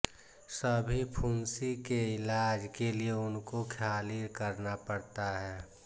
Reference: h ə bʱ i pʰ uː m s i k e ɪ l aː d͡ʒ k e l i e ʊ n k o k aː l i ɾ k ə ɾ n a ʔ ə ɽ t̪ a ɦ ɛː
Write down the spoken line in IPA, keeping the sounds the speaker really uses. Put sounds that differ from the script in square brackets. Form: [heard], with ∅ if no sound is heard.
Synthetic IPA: [s] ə bʱ i pʰ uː [n] s i k e ɪ l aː d͡ʒ k e l i e ʊ n k o [kʰ] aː l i ɾ k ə ɾ n a [p] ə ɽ t̪ a ɦ ɛː

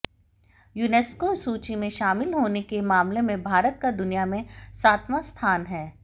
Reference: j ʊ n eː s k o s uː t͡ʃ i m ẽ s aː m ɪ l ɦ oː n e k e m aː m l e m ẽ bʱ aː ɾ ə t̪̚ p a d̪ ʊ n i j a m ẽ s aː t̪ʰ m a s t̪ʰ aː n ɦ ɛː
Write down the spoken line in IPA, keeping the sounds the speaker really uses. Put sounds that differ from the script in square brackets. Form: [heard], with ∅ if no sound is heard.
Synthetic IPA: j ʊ n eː s k o s uː t͡ʃ i m ẽ [ʃ] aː m ɪ l ɦ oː n e k e m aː m l e m ẽ bʱ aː ɾ ə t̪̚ [k] a d̪ ʊ n i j a m ẽ s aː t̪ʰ m a s t̪ʰ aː n ɦ ɛː

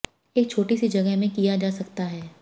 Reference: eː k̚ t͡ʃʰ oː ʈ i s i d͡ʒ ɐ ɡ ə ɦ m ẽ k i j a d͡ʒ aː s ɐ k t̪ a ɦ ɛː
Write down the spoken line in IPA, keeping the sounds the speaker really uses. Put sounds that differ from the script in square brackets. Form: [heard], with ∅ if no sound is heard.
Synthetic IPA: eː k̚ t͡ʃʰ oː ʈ i s i d͡ʒ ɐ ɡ ə ɦ m ẽ k i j a d͡ʒ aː s ɐ k t̪ a ɦ ɛː

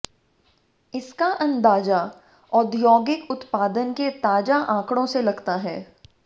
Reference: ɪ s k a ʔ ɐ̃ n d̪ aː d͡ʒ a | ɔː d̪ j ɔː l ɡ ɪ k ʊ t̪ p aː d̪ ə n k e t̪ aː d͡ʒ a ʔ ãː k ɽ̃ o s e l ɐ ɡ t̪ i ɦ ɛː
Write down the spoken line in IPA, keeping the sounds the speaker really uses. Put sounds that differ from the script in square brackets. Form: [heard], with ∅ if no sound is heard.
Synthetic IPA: ɪ s k a ʔ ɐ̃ n d̪ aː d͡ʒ a | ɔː d̪ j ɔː [∅] ɡ ɪ k ʊ t̪ p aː d̪ ə n k e t̪ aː d͡ʒ a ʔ ãː k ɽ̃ [õ] s e l ɐ ɡ t̪ [a] ɦ ɛː

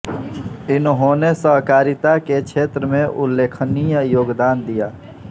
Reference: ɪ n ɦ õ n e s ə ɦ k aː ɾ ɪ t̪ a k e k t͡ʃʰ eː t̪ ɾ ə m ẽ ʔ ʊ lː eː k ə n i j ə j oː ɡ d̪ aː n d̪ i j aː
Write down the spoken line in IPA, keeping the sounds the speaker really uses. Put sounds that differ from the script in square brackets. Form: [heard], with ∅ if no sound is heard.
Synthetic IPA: ɪ n ɦ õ n e s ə ɦ k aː ɾ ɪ t̪ a k e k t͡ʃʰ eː t̪ ɾ ə m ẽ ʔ ʊ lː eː [kʰ] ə n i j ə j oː ɡ d̪ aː n d̪ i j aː

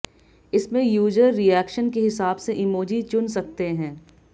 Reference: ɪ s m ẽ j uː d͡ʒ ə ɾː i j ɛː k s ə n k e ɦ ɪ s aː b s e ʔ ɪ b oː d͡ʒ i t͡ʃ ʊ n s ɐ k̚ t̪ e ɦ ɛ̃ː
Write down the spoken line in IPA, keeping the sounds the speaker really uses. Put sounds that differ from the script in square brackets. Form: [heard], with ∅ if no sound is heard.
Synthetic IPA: ɪ s m ẽ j uː d͡ʒ ə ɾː i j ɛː k [ʃ] ə n k e ɦ ɪ s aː b s e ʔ ɪ [m] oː d͡ʒ i t͡ʃ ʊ n s ɐ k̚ t̪ e ɦ ɛ̃ː

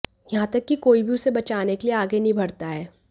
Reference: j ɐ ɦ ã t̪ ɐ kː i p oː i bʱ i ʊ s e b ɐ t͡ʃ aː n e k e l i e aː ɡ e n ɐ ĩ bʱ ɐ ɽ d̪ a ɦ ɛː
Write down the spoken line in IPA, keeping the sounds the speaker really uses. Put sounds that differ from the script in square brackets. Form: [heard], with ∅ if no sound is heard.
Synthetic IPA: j ɐ ɦ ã t̪ ɐ kː i [k] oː i bʱ i ʊ s e b ɐ t͡ʃ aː n e k e l i e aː ɡ e n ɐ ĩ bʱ ɐ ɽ [t̪] a ɦ ɛː

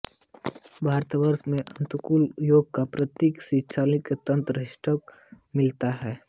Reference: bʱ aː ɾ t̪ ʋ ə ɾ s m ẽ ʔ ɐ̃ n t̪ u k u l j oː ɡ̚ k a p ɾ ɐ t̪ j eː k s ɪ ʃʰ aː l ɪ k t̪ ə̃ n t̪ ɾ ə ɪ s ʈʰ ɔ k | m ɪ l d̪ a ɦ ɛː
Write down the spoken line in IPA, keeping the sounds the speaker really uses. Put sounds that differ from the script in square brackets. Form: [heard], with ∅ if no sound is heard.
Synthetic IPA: bʱ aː ɾ t̪ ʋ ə ɾ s m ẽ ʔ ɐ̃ n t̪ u k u l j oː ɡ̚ k a p ɾ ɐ t̪ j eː k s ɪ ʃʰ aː l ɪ k t̪ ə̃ n t̪ ɾ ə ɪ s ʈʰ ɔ k | m ɪ l [t̪] a ɦ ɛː

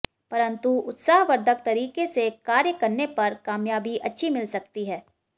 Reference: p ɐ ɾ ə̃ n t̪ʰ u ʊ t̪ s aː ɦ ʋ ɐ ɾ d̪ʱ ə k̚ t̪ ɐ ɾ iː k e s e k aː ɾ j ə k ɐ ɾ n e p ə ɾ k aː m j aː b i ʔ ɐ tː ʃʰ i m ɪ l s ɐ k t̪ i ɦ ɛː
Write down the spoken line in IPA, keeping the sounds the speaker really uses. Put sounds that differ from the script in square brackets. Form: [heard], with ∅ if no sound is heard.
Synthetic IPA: p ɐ ɾ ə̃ n [t̪] u ʊ t̪ s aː ɦ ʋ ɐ ɾ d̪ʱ ə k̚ t̪ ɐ ɾ iː k e s e k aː ɾ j ə k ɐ ɾ n e p [ɐ] ɾ k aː m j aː b i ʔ ɐ tː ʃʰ i m ɪ l s ɐ k t̪ i ɦ ɛː

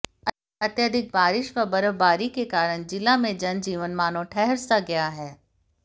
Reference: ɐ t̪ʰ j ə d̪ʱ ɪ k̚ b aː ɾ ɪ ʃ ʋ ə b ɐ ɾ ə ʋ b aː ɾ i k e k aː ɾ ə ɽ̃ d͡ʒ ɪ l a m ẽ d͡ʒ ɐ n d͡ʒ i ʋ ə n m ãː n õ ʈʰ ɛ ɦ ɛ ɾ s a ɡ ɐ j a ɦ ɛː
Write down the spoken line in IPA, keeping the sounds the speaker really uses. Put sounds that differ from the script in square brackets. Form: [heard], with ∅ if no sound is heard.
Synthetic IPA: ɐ [t̪] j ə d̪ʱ ɪ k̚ b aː ɾ ɪ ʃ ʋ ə b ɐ ɾ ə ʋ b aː ɾ i k e k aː ɾ ə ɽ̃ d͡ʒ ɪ l a m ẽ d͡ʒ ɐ n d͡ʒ [iː] ʋ ə n m [aː] n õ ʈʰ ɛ ɦ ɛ ɾ s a ɡ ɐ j a ɦ ɛː

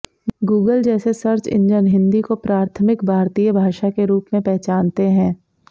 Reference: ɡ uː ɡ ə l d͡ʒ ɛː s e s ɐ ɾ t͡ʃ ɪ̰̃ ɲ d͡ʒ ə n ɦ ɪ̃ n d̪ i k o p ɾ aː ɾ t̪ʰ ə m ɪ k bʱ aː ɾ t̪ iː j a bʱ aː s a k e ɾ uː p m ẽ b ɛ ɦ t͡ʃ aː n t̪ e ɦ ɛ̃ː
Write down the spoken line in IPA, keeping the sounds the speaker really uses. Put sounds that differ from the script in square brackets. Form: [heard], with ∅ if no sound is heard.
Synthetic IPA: ɡ uː ɡ ə l d͡ʒ ɛː s e s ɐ ɾ t͡ʃ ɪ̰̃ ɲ d͡ʒ ə n ɦ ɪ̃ n d̪ i k o p ɾ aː ɾ t̪ʰ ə m ɪ k bʱ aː ɾ t̪ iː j [ə] bʱ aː [ʃ] a k e ɾ uː p m ẽ [p] ɛ ɦ t͡ʃ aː n t̪ e ɦ ɛ̃ː

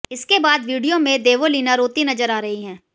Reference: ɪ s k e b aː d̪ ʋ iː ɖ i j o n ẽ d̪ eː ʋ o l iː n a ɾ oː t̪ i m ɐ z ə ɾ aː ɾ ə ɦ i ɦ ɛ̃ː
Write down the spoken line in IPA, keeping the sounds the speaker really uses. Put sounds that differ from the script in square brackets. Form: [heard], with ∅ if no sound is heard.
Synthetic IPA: ɪ s k e b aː d̪ ʋ iː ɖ i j o [m] ẽ d̪ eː ʋ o l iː n a ɾ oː t̪ i [n] ɐ z ə ɾ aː ɾ [ɐ] ɦ i ɦ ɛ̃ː

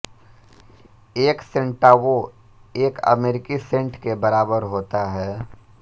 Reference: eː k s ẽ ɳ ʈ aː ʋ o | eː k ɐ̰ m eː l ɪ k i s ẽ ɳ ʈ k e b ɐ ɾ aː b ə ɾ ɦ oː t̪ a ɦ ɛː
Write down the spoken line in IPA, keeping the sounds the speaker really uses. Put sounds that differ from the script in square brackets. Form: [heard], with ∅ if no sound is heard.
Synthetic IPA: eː k s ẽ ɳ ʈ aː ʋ o | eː k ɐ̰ m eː [ɾ] ɪ k i s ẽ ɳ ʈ k e b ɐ ɾ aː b ə ɾ ɦ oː t̪ a ɦ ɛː

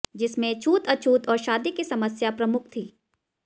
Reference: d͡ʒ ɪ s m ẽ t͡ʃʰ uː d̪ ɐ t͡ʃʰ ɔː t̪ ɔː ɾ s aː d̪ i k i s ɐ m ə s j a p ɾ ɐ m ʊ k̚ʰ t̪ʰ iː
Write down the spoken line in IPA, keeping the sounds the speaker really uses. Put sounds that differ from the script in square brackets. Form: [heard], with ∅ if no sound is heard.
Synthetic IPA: d͡ʒ ɪ s m ẽ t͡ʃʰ uː [t̪] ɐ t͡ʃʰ [uː] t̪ ɔː ɾ [ʃ] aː d̪ i k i s ɐ m ə s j a p ɾ ɐ m ʊ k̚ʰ t̪ʰ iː

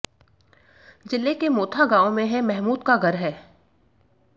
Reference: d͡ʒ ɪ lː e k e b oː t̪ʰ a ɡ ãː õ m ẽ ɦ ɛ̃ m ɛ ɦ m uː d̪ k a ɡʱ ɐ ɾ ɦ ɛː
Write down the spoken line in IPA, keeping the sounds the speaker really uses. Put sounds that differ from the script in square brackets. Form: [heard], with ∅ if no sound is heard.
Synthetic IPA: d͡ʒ ɪ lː e k e [m] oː t̪ʰ a ɡ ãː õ m ẽ ɦ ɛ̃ m ɛ ɦ m uː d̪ k a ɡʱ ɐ ɾ ɦ ɛː

